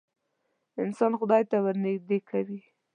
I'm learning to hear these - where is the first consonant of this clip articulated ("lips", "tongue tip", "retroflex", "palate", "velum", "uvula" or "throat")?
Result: tongue tip